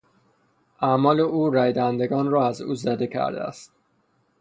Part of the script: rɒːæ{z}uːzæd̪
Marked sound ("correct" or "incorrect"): correct